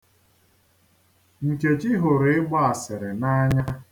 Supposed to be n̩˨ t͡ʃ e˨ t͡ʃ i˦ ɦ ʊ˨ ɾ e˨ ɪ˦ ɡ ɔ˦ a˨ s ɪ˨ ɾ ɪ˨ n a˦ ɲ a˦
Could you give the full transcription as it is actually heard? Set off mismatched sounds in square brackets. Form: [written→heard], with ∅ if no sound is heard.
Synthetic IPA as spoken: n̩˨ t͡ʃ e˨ t͡ʃ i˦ ɦ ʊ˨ ɾ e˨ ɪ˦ [ɡ→ɡ͡b] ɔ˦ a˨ s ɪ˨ ɾ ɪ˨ n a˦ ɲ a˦